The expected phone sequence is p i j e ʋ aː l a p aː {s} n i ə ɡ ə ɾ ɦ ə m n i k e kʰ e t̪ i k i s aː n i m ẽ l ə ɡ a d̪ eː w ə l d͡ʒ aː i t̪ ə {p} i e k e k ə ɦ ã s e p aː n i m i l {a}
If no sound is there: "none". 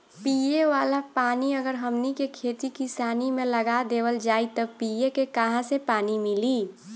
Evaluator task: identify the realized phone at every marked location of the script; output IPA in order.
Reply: none, p, i

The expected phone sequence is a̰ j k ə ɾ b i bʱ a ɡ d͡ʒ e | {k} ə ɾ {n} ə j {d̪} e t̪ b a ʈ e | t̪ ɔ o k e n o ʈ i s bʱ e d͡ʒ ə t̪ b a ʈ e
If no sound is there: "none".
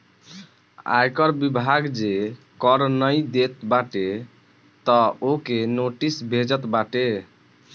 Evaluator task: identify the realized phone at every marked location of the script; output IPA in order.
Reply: k, n, d̪

